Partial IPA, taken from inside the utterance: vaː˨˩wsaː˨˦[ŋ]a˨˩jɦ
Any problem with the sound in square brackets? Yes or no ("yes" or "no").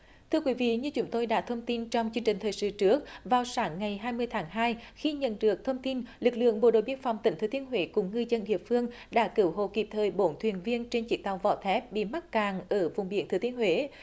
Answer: yes